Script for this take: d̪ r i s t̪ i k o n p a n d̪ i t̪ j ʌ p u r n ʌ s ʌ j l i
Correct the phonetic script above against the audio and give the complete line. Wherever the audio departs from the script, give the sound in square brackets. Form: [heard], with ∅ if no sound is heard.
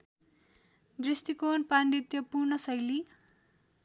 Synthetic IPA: d̪ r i s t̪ i k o n p a n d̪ i t̪ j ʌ p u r n ʌ s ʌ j l i